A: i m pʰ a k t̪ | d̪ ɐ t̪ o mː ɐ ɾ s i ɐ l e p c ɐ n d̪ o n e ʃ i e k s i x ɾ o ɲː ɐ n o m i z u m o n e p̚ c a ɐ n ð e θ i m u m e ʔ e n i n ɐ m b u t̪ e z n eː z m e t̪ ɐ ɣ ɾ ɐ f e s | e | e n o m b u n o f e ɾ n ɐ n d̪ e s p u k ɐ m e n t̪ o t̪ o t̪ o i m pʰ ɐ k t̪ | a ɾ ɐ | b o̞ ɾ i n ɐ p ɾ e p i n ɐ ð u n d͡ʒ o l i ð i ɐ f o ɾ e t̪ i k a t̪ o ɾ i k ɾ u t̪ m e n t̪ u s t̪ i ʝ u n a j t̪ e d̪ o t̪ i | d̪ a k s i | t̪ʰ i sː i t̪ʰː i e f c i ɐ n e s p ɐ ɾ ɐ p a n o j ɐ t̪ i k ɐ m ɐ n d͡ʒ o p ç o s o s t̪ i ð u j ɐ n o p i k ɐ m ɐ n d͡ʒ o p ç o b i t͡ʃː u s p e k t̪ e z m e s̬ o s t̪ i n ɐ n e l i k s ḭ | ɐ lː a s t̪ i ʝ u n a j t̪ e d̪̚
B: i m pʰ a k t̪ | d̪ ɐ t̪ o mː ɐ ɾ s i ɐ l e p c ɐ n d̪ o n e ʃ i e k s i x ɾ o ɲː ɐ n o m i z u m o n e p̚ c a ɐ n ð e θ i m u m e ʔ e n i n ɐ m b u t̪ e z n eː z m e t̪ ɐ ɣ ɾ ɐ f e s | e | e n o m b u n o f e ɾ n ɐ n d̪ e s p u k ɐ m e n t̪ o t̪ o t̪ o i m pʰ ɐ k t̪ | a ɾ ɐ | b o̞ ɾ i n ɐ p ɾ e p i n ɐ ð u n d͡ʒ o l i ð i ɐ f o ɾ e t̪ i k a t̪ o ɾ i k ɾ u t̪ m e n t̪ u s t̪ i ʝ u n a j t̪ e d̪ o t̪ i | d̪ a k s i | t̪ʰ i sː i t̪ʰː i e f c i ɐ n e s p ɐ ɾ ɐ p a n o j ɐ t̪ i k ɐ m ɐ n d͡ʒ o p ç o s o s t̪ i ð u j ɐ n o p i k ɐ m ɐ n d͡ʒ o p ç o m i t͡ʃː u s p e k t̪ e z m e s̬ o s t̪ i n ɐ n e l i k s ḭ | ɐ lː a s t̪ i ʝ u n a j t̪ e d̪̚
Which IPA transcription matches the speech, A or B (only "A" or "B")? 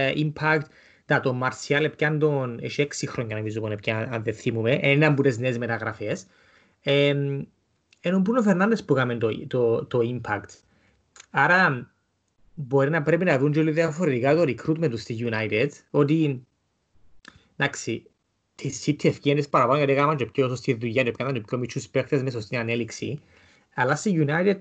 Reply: B